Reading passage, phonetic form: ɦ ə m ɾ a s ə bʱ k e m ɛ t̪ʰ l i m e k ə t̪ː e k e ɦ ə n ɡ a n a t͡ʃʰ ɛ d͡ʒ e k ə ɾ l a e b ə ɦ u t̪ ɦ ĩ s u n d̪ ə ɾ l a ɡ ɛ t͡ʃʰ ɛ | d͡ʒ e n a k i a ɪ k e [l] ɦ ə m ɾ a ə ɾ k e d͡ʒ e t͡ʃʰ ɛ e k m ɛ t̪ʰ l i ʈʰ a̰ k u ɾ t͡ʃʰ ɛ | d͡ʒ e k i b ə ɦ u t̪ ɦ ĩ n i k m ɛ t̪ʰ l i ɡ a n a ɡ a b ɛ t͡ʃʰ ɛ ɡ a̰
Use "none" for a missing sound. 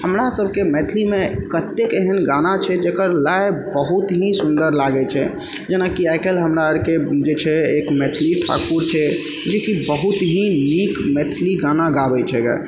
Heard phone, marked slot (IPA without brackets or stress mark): l